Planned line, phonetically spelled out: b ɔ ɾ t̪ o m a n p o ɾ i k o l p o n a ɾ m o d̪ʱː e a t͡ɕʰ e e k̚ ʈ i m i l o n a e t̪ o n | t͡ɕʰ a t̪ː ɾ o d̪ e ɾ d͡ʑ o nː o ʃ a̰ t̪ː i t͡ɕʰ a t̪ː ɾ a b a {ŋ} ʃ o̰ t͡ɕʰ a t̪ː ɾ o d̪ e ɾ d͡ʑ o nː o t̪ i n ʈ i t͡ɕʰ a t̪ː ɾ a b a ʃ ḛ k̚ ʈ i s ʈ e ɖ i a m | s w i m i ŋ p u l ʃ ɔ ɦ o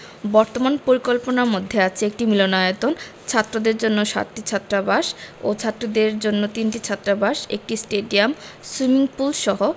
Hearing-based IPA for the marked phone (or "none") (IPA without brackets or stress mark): none